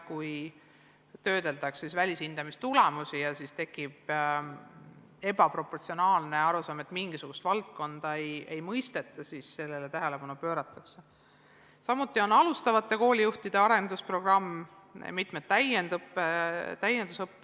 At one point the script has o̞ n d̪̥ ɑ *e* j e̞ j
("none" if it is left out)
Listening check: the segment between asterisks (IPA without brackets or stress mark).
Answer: e